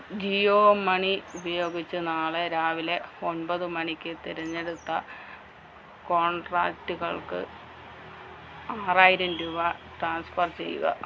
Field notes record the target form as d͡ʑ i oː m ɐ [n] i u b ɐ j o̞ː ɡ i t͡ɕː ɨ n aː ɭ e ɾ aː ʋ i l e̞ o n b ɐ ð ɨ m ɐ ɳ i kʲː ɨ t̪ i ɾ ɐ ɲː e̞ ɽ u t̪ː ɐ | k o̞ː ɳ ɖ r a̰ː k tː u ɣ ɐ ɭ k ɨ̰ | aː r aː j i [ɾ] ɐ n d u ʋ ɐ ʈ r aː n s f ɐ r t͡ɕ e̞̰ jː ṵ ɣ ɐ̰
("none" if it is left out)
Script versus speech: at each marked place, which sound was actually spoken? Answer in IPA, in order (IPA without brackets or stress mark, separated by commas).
ɳ, ɾ